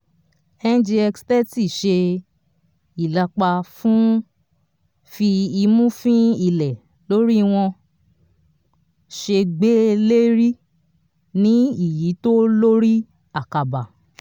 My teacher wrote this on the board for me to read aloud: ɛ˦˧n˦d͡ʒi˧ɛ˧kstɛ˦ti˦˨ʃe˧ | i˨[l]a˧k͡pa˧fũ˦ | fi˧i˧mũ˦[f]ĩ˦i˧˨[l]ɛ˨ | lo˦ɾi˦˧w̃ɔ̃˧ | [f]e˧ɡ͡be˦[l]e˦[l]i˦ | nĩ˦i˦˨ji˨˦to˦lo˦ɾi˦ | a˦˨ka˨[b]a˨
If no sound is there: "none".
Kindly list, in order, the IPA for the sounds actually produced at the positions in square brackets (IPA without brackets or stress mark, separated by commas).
l, f, l, ʃ, l, ɾ, b